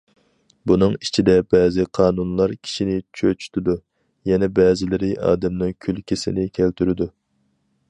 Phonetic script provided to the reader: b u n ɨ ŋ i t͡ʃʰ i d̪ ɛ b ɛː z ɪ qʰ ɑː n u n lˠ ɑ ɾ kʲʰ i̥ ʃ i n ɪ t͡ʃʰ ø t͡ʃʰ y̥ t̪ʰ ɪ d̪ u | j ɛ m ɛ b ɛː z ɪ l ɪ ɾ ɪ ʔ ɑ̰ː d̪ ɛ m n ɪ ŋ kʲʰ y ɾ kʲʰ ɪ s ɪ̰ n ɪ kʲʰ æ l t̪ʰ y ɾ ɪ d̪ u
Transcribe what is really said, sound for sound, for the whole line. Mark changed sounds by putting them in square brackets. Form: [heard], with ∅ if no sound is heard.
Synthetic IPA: b u n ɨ ŋ i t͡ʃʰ i d̪ ɛ b ɛː z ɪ qʰ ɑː n u n lˠ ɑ ɾ kʲʰ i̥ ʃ i n ɪ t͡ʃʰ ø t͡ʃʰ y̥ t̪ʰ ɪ d̪ u | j ɛ [n] ɛ b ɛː z ɪ l ɪ ɾ ɪ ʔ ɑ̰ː d̪ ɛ m n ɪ ŋ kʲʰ y [l] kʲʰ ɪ s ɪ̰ n ɪ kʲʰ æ l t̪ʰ y ɾ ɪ d̪ u